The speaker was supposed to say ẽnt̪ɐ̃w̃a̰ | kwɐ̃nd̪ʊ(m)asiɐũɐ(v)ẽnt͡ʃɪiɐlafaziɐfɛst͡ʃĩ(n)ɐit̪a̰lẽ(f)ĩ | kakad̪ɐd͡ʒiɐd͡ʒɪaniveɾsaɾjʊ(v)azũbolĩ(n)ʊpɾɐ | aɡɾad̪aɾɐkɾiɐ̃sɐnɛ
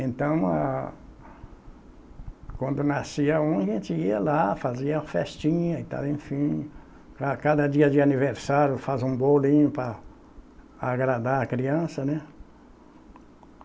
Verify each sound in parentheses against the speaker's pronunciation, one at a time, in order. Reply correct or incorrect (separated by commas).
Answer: incorrect, incorrect, incorrect, correct, incorrect, incorrect